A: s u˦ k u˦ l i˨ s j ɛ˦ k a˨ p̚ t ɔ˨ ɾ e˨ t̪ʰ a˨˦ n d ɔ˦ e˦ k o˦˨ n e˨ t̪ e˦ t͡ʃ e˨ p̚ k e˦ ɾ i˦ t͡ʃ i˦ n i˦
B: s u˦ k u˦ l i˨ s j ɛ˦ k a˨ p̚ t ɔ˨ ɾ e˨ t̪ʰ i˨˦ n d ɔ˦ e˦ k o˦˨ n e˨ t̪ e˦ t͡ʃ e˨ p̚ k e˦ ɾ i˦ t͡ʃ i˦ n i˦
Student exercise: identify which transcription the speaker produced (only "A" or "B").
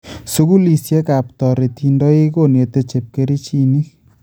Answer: B